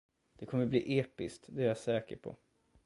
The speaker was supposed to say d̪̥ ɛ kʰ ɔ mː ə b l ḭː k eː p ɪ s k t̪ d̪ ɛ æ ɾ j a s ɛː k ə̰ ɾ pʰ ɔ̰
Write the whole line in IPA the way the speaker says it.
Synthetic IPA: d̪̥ ɛ kʰ ɔ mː ə b l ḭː ʔ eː p ɪ s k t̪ d̪ ɛ æ ɾ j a s ɛː k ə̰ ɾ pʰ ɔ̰